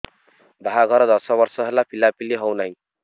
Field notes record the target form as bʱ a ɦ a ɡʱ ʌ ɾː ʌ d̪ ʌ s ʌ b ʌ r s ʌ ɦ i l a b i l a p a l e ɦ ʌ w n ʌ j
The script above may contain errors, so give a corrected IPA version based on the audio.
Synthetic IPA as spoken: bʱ a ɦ a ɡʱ ʌ ɾ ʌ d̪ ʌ s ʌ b ʌ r s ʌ ɦ e l a p i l a p i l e ɦ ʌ w n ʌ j